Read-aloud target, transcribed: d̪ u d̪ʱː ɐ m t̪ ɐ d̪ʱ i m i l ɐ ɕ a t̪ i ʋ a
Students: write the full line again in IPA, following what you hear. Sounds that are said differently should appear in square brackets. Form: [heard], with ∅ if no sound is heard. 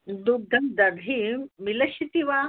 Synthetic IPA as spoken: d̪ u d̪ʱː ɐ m [d̪] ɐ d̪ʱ i m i l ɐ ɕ [i] t̪ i ʋ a